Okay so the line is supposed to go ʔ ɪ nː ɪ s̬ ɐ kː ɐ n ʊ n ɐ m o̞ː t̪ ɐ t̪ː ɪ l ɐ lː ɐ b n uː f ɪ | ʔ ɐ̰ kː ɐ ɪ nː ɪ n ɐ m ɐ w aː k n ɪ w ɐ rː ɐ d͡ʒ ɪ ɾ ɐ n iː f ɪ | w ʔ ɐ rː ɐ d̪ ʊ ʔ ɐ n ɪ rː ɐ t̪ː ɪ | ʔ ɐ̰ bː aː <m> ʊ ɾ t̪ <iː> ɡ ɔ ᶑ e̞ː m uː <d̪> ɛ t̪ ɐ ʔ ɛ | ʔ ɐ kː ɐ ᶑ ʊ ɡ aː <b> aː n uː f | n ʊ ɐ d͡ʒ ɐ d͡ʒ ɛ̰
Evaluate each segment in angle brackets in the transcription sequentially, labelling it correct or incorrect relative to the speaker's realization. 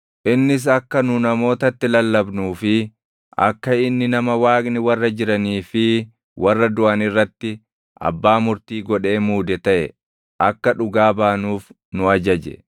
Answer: correct, correct, correct, correct

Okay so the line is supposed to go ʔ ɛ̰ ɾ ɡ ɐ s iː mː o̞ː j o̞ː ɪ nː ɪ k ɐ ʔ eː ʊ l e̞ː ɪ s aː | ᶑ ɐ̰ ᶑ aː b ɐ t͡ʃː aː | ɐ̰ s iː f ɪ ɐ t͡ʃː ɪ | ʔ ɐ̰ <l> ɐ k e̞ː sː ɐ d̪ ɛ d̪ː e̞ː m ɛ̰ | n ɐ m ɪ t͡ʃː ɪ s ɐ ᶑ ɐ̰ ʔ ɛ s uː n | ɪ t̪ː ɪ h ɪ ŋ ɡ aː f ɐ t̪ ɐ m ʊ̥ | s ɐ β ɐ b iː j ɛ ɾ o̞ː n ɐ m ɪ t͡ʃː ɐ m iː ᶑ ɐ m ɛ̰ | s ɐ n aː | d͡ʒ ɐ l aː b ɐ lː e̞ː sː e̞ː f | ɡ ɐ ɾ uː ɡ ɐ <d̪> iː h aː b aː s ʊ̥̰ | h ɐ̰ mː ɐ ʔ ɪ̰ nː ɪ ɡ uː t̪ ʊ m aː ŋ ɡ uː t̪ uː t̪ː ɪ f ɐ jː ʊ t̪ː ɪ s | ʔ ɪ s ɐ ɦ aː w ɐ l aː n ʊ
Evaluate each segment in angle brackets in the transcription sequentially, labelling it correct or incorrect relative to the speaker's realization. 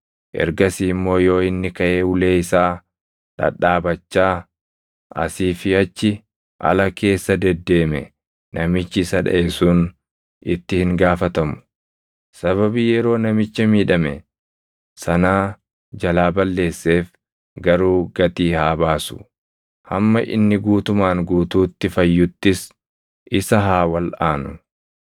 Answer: correct, incorrect: t̪

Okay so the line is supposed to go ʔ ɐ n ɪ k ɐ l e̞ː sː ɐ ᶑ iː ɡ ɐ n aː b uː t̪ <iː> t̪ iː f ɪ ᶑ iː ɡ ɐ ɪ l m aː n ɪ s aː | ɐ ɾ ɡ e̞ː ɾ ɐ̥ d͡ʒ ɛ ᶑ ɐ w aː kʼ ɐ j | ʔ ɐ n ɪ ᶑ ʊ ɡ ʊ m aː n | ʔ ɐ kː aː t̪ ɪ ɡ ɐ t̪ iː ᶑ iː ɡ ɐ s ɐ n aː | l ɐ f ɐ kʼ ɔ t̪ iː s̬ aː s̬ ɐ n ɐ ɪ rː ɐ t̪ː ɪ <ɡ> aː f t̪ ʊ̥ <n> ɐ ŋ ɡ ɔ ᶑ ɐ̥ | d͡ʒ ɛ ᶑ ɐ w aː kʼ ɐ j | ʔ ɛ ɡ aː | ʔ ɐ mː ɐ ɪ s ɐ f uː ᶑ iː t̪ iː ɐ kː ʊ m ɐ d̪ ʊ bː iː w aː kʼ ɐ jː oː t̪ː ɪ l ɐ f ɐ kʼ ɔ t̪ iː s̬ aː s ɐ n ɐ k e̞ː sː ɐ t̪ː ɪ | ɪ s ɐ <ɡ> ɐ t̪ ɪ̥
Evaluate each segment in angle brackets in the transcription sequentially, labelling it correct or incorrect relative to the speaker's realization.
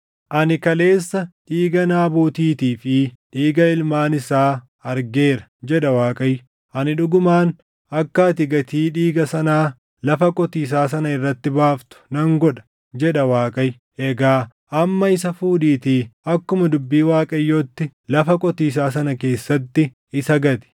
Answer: correct, incorrect: b, correct, correct

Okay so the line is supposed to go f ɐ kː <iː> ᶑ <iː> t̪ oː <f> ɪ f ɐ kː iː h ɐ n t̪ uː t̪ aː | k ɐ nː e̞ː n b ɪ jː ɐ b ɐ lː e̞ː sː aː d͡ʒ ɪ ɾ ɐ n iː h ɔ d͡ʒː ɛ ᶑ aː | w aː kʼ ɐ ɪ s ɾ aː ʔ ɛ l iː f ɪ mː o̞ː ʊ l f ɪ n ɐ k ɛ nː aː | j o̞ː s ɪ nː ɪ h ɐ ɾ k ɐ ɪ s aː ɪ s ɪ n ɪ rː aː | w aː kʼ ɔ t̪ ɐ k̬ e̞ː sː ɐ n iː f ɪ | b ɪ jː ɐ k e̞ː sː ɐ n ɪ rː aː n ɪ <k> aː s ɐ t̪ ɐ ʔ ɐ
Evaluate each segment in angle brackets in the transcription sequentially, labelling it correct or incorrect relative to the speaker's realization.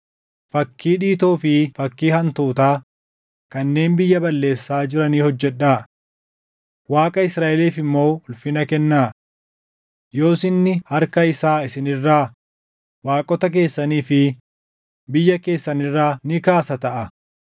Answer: correct, correct, correct, correct

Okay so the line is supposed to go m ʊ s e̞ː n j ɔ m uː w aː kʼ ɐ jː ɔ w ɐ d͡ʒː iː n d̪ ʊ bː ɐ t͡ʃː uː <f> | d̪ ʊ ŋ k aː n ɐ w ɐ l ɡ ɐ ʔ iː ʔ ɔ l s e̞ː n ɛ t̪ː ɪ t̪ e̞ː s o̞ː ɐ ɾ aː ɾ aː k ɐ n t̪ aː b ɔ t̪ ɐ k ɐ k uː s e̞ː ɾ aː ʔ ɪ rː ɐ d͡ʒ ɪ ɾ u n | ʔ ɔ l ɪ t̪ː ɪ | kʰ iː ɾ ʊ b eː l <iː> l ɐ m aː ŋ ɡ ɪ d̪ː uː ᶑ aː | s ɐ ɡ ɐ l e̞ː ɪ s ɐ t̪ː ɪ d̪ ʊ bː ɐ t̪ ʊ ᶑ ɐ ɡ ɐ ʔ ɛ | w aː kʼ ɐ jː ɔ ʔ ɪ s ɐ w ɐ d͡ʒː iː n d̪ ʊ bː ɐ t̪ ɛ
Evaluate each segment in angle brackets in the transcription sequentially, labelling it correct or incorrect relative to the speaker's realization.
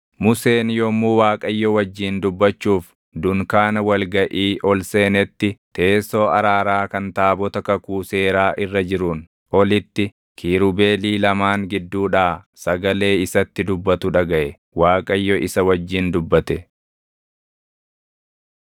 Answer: correct, correct

